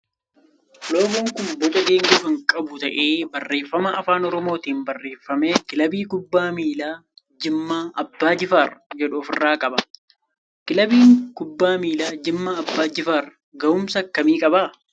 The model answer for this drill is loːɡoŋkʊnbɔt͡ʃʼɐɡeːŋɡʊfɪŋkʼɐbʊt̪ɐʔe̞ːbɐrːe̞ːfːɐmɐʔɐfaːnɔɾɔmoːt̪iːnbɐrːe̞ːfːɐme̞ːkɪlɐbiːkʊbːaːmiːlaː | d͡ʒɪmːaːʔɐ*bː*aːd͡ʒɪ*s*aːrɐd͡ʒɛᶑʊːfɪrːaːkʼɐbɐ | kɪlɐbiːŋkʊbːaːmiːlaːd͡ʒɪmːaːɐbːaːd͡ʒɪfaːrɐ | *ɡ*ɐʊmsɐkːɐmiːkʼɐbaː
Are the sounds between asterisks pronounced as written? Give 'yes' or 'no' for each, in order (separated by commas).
yes, no, yes